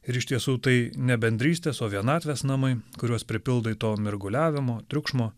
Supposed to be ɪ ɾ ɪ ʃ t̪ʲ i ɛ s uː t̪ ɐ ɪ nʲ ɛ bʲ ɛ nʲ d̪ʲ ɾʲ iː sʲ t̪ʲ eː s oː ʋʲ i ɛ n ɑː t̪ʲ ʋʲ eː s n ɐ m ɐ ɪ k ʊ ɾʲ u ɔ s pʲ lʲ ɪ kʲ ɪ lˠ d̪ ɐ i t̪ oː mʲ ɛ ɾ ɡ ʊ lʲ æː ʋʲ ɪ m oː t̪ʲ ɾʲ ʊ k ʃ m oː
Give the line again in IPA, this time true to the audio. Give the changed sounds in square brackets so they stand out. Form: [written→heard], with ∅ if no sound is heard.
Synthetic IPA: ɪ ɾ ɪ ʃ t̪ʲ i ɛ s uː t̪ ɐ ɪ nʲ ɛ bʲ ɛ nʲ d̪ʲ ɾʲ iː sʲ t̪ʲ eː s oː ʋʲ i ɛ n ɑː t̪ʲ ʋʲ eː s n ɐ m ɐ ɪ k ʊ ɾʲ u ɔ s pʲ [lʲ→ɾʲ] ɪ [kʲ→pʲ] ɪ lˠ d̪ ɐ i t̪ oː mʲ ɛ ɾ ɡ ʊ lʲ æː ʋʲ ɪ m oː t̪ʲ ɾʲ ʊ k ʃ m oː